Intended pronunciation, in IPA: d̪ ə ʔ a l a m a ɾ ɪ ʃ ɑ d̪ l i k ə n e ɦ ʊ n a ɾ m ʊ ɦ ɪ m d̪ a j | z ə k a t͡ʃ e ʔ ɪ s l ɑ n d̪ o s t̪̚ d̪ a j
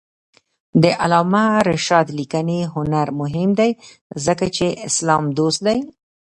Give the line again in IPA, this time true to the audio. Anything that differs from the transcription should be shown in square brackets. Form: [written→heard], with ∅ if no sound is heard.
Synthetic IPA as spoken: d̪ ə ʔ a l [a→ɑ] m a ɾ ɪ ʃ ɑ d̪ l i k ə n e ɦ ʊ n a ɾ m ʊ ɦ ɪ m d̪ a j | z ə k a t͡ʃ e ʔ ɪ s l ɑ [n→m] d̪ o s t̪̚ d̪ a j